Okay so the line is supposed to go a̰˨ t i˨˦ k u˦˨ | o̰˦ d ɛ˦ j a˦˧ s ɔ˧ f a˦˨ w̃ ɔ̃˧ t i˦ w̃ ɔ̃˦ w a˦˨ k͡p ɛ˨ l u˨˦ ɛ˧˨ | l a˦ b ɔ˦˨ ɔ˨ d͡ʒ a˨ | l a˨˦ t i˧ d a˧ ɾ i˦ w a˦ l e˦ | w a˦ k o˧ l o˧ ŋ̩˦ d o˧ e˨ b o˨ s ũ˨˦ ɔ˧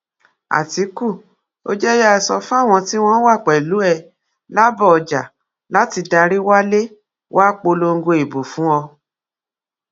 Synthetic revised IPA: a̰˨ t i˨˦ k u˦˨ | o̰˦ d͡ʒ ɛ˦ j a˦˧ s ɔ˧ f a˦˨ w̃ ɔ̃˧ t i˦ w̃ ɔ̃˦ w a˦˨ k͡p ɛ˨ l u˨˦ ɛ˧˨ | l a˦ b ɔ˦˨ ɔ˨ d͡ʒ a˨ | l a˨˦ t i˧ d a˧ ɾ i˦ w a˦ l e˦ | w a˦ k͡p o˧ l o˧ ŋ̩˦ ɡ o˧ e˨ b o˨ f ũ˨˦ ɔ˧